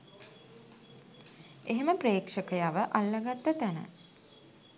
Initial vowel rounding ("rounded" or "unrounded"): unrounded